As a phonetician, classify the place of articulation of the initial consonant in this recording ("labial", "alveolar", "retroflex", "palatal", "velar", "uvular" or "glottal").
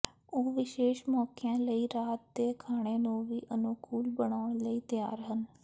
labial